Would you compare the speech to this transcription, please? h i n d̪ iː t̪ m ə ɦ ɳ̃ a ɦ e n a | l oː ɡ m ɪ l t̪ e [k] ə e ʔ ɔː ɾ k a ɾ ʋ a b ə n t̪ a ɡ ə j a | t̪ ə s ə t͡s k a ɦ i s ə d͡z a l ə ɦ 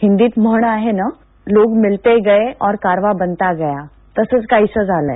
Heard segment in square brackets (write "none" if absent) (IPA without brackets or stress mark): ɡ